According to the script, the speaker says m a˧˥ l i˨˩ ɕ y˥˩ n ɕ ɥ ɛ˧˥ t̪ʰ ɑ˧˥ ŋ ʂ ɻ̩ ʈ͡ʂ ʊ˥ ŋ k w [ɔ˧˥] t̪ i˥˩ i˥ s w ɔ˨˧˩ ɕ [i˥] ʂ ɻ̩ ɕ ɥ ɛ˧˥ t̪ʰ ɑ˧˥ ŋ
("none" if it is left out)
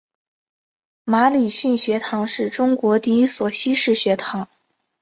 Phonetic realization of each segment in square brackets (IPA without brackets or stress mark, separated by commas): ɔ˧˥, i˥